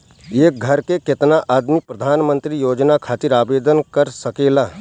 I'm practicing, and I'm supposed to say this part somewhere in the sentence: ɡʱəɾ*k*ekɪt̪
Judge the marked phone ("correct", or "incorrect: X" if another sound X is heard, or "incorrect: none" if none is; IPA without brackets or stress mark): correct